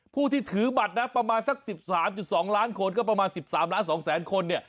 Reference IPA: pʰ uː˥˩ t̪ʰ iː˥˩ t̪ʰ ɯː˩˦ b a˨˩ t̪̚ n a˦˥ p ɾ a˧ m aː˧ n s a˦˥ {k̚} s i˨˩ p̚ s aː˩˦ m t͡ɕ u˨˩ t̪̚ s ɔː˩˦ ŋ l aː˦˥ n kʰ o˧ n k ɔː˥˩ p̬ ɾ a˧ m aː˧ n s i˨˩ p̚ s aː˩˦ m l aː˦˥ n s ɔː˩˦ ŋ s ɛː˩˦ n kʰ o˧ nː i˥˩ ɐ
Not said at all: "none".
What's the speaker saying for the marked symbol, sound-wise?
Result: k̚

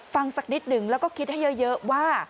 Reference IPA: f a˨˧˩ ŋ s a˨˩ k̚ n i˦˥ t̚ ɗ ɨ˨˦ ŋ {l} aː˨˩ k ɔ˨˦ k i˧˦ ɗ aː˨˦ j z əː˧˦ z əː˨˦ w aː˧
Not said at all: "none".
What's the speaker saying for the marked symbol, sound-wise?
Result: l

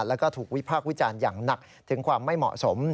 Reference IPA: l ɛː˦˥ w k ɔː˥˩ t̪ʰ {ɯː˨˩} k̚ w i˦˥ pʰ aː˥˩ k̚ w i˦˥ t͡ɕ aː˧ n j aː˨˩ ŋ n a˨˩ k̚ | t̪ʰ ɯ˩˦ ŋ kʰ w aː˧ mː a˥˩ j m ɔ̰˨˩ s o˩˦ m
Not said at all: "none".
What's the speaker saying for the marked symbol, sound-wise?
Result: uː˨˩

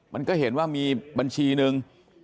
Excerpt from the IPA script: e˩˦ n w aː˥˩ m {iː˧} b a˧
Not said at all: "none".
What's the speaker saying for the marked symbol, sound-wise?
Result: iː˧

